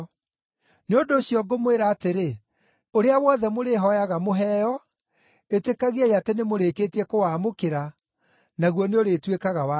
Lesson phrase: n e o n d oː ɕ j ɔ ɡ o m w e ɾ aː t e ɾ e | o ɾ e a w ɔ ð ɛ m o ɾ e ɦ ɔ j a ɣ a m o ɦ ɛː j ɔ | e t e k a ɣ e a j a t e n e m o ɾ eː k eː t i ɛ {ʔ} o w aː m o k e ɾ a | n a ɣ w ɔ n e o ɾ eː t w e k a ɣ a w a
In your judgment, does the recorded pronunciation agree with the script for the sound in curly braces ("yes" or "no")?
no